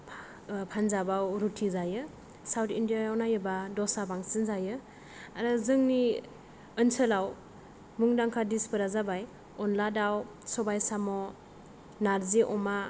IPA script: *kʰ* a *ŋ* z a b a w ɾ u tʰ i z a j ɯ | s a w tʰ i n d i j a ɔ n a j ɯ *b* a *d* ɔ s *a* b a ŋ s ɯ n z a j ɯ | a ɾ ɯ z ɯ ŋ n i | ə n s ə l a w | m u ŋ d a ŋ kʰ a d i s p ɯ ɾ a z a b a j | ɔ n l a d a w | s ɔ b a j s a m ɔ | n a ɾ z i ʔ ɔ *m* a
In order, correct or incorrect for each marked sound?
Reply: incorrect, incorrect, correct, correct, correct, correct

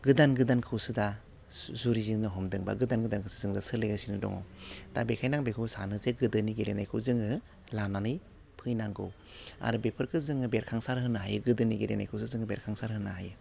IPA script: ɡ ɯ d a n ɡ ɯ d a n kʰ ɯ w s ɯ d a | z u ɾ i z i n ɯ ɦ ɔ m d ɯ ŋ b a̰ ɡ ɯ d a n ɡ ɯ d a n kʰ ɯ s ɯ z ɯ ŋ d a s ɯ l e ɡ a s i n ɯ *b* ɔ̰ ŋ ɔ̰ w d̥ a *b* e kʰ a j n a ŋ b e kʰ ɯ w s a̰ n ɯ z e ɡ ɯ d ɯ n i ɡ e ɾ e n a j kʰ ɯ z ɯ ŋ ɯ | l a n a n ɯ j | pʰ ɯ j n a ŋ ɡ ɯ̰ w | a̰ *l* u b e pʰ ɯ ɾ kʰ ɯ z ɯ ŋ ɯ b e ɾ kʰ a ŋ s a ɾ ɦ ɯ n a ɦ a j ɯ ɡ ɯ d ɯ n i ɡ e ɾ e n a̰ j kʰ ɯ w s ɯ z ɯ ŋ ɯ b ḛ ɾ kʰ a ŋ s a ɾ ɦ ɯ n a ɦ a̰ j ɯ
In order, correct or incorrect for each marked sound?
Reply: incorrect, correct, incorrect

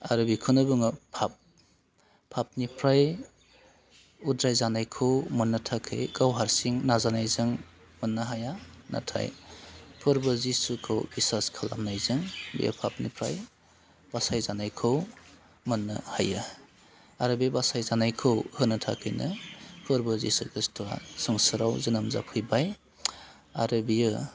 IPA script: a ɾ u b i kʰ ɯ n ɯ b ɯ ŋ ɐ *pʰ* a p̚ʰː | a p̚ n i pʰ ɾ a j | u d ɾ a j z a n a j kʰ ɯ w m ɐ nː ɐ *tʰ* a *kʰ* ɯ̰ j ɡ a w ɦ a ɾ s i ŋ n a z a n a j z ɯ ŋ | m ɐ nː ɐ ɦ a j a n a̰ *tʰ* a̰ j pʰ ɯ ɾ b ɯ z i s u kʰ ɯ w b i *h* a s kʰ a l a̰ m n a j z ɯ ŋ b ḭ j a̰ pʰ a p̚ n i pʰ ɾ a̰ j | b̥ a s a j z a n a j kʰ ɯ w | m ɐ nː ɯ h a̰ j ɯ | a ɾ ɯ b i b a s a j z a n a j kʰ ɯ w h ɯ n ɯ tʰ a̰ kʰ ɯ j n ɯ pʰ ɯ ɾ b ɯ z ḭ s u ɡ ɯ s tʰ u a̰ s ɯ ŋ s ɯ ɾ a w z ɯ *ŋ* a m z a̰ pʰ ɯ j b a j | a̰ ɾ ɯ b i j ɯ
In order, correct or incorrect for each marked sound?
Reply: correct, correct, correct, correct, incorrect, incorrect

